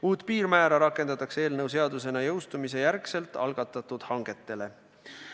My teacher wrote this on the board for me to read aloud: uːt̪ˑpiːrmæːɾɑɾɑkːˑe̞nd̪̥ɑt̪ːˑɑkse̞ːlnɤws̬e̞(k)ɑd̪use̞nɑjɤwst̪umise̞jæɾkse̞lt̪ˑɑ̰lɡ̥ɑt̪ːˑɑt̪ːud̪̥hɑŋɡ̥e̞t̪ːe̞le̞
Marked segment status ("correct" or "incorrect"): incorrect